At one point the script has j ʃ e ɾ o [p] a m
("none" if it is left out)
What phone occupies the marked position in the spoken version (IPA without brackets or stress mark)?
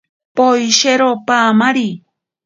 p